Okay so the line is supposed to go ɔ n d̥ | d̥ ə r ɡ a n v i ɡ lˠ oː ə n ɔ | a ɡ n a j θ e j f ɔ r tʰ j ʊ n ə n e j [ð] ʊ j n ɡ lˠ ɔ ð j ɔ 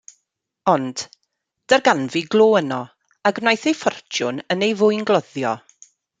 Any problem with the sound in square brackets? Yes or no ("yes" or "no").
yes